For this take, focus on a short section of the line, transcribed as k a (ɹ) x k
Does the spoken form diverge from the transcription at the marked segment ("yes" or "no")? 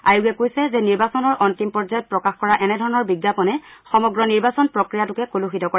yes